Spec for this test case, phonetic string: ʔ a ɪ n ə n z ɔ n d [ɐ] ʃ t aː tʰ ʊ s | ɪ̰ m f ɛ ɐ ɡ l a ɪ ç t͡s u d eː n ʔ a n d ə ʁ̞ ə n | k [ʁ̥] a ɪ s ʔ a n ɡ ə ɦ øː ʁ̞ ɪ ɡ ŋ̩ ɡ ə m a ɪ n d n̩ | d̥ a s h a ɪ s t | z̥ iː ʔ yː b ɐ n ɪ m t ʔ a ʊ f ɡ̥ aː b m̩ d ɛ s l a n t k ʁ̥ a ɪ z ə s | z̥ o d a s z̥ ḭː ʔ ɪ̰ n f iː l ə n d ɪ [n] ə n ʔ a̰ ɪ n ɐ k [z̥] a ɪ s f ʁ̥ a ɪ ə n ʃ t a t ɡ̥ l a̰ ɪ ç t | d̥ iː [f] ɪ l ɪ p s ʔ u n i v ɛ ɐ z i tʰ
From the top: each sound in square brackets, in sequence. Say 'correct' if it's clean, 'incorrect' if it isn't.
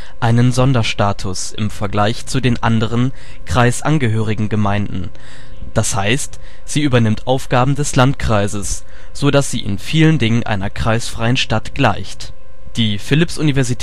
correct, correct, incorrect: ŋ, incorrect: ʁ̥, correct

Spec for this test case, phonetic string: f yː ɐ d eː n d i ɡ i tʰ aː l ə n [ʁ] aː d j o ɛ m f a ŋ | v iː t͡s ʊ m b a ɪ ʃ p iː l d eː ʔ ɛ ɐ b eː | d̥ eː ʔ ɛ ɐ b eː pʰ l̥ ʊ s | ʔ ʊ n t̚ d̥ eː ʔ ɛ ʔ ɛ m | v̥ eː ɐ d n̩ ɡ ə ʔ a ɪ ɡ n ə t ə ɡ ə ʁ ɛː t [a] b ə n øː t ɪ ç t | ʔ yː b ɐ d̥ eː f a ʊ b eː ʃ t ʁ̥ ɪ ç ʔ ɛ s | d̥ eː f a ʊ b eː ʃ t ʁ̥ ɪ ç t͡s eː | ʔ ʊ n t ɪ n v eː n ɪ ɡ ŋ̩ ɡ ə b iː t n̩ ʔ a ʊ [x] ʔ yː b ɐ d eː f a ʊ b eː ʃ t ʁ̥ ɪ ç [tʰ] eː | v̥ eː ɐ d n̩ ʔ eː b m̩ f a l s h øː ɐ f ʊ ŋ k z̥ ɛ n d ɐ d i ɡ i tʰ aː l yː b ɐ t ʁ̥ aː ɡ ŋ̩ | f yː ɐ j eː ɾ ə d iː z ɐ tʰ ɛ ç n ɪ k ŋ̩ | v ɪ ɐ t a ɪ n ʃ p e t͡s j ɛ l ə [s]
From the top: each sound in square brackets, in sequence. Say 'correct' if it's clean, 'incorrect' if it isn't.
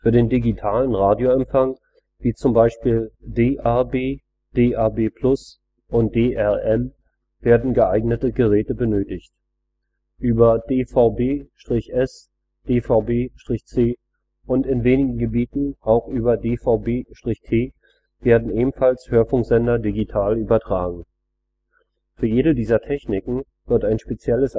correct, incorrect: ə, correct, correct, correct

